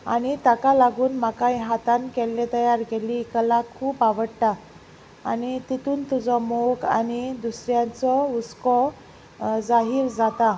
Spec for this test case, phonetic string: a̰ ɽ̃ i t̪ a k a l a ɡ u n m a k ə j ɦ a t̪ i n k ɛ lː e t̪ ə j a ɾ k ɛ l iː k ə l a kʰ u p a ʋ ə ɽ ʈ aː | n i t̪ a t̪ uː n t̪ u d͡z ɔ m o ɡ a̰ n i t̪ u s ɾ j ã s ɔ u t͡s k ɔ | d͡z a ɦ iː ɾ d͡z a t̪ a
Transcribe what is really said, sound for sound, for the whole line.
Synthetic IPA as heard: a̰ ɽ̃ i t̪ a k a l a ɡ uː n m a k a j ɦ a t̪ a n k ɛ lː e t̪ ə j a ɾ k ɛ l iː k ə l a kʰ uː p a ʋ ə ɽ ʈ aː | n i t̪ i t̪ uː n t̪ u d͡z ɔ m o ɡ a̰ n i d̪ u s ɾ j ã t͡s ɔ u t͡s k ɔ | d͡z a ɦ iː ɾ d͡z a t̪ a

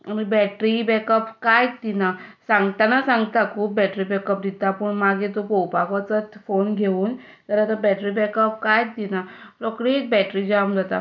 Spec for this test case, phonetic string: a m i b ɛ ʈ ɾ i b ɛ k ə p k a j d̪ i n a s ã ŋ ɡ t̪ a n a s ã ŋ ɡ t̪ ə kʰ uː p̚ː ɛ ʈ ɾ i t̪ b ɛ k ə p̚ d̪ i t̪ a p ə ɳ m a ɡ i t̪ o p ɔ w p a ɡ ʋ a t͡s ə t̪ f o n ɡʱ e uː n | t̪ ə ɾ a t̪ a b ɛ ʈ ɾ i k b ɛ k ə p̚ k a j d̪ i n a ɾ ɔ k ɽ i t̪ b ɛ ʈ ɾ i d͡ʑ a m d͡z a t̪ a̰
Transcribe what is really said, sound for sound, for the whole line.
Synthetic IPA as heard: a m i b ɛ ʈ ɾ i b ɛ k ə p k a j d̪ i n a s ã ŋ ɡ t̪ a n a s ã ŋ ɡ t̪ a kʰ uː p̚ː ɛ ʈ ɾ i b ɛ k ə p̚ d̪ i t̪ a p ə ɳ m a ɡ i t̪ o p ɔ w p a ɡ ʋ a t͡s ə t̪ f o n ɡʱ e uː n | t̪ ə ɾ a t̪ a b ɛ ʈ ɾ i b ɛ k ə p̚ k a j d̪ i n a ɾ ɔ k ɽ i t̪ b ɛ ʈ ɾ i d͡ʑ a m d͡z a t̪ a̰

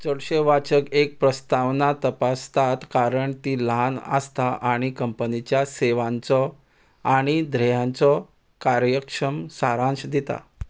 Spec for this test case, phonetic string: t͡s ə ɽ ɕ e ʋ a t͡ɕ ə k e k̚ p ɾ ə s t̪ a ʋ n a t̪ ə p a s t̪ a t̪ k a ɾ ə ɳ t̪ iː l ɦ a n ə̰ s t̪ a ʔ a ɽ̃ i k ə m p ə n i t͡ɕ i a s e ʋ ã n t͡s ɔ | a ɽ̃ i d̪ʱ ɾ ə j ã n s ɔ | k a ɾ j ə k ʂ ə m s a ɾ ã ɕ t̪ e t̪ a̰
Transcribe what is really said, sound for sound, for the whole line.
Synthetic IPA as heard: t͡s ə ɽ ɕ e ʋ a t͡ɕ ə k e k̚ p ɾ ə s t̪ a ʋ n a t̪ ə p a s t̪ a t̪ k a ɾ ə ɳ t̪ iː l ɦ a n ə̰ s t̪ a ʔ a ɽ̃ i k ə m p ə n i t͡ɕ j a s e ʋ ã n t͡s ɔ | a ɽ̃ i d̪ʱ ɾ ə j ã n t͡s ɔ | k a ɾ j ə k ʂ ə m s a ɾ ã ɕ d̪ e t̪ a̰

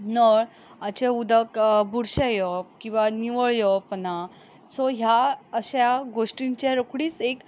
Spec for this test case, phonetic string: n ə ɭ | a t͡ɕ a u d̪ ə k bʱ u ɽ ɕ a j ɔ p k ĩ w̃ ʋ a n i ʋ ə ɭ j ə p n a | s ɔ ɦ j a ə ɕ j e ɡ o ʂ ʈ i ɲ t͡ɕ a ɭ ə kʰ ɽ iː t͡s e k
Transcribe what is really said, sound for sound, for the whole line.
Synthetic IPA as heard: n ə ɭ | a t͡ɕ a u d̪ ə k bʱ u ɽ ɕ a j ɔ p k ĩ w̃ ʋ a n i ʋ ə ɭ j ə p n a | s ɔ ɦ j a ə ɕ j a ɡ o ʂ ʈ i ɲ t͡ɕ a ɾ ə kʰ ɽ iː t͡s e k

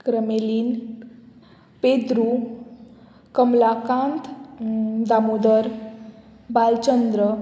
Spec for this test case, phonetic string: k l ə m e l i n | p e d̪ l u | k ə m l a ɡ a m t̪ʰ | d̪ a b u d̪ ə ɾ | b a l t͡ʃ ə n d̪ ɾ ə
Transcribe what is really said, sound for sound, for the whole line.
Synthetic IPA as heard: k ɾ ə m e l i n | p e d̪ ɾ u | k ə m l a k a n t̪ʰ | d̪ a m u d̪ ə ɾ | b a l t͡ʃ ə n d̪ ɾ ə

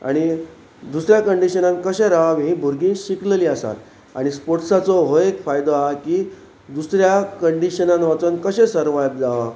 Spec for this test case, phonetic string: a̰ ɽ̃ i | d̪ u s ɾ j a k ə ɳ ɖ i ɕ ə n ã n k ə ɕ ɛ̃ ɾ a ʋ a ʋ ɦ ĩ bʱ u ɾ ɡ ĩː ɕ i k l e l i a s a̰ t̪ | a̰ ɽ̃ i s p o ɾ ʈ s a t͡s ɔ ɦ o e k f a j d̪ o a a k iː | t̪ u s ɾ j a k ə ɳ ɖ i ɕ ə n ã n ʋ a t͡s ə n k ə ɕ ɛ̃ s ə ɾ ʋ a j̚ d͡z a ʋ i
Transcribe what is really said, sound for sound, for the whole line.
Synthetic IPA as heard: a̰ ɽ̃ i | d̪ u s ɾ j a k ə ɳ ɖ i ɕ ə n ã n k ə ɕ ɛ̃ ɾ a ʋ a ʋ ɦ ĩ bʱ u ɾ ɡ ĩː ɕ i k l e l i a s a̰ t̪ | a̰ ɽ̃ i s p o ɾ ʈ s a t͡s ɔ ɦ o e k f a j d̪ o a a k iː | d̪ u s ɾ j a k ə ɳ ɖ i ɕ ə n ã n ʋ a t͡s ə n k ə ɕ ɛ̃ s ə ɾ ʋ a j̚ d͡z a ʋ a

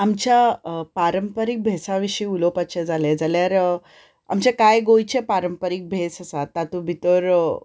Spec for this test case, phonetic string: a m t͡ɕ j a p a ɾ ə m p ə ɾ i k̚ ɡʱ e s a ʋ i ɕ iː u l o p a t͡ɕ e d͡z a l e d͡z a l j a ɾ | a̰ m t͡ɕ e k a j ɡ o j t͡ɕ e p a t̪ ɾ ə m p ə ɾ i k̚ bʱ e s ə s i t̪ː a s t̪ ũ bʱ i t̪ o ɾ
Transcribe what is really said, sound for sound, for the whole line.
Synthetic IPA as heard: a m t͡ɕ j a p a ɾ ə m p ə ɾ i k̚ bʱ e s a ʋ i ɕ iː u l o p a t͡ɕ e d͡z a l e d͡z a l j a ɾ | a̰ m t͡ɕ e k a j ɡ o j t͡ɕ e p a ɾ ə m p ə ɾ i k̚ bʱ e s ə s a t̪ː a t̪ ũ bʱ i t̪ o ɾ

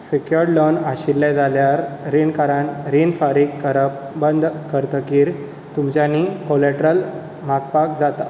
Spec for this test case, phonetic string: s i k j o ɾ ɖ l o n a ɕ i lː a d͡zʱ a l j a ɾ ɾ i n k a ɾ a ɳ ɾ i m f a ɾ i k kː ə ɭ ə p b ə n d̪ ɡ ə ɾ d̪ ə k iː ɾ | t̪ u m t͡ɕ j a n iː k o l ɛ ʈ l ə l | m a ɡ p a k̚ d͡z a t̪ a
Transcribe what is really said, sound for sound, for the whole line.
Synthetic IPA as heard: s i k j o ɾ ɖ l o n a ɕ i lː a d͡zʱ a l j a ɾ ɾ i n k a ɾ a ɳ ɾ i n f a ɾ i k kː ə ɾ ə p b ə n d̪ k ə ɾ t̪ ə k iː ɾ | t̪ u m t͡ɕ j a n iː k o l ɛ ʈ ɾ ə l | m a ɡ p a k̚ d͡z a t̪ a

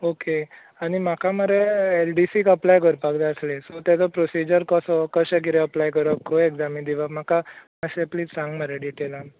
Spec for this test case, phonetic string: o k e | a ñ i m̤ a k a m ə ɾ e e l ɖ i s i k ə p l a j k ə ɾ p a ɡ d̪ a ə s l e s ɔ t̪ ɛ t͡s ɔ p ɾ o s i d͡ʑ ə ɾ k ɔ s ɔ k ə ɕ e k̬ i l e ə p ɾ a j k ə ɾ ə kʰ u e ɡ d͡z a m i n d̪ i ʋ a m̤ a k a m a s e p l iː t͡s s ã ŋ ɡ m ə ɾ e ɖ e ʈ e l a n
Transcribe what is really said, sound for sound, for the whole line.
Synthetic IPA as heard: o k e | a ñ i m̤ a k a m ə ɾ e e l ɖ i s i k ə p l a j k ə ɾ p a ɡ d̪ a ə s l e s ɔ t̪ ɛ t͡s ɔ p ɾ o s i d͡ʑ ə ɾ k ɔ s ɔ k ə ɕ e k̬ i ɾ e ə p l a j k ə ɾ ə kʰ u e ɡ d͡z a m i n d̪ i ʋ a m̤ a k a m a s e p l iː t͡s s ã ŋ ɡ m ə ɾ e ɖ i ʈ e l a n

